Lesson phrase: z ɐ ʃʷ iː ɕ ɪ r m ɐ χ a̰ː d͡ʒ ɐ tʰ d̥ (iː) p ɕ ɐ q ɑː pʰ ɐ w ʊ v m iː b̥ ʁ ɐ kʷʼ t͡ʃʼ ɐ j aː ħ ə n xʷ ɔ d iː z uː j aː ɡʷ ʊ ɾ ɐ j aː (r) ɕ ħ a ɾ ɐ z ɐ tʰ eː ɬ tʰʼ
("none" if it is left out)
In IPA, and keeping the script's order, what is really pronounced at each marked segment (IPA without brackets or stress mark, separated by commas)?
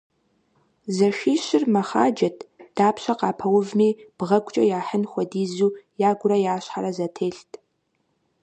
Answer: aː, none